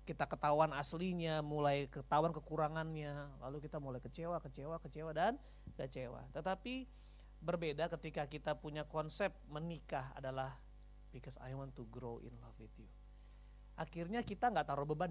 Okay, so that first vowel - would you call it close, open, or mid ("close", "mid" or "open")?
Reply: close